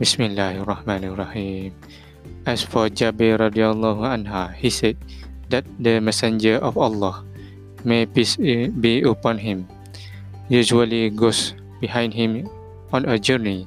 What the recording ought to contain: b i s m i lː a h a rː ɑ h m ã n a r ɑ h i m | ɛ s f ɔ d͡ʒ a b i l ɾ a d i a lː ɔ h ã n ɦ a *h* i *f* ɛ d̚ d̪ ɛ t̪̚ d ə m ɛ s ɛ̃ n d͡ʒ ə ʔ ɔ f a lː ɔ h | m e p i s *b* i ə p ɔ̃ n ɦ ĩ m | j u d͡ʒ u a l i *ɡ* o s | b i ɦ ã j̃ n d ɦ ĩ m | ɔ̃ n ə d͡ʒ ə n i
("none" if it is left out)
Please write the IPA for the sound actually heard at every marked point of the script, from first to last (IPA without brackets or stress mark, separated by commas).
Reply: h, s, b, ɡ